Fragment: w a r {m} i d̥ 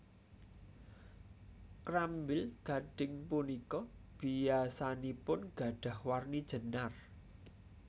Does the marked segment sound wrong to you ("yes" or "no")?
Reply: yes